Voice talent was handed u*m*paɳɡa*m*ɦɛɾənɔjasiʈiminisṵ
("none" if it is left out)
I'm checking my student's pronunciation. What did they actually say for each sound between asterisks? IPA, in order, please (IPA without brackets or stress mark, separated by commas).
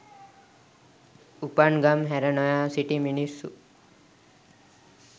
none, m